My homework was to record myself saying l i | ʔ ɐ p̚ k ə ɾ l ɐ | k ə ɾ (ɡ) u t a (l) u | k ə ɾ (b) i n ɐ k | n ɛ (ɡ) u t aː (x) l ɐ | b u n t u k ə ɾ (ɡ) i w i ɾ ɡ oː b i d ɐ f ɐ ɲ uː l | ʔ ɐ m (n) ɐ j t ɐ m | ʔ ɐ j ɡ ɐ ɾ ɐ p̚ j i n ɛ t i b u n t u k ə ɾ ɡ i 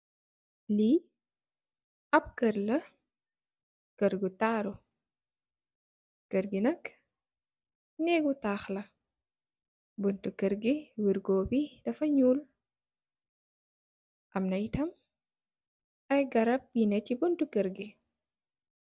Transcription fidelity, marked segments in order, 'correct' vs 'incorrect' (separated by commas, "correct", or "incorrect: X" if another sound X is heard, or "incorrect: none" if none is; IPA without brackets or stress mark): correct, incorrect: ɾ, incorrect: ɡ, correct, correct, correct, correct